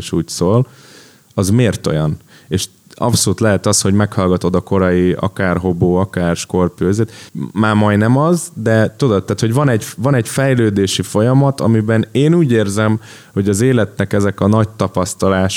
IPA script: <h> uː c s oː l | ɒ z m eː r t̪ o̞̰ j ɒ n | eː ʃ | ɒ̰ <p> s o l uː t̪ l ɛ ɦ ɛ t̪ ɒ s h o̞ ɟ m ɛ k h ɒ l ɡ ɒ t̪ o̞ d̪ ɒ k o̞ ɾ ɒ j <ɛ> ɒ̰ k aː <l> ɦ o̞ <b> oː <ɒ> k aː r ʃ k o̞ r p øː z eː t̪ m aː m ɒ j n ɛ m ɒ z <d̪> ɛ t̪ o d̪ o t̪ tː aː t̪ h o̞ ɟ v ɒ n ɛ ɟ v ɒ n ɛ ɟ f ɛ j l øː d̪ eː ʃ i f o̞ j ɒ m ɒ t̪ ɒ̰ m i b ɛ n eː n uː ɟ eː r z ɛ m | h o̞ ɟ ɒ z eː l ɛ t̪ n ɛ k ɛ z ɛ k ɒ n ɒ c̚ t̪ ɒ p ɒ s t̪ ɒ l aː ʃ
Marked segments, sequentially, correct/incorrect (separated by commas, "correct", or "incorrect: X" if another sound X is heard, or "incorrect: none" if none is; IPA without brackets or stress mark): incorrect: ʃ, correct, incorrect: i, incorrect: r, correct, correct, correct